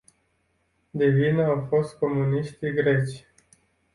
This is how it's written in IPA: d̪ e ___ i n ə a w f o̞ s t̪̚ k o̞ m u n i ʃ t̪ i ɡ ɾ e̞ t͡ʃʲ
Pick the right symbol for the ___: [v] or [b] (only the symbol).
v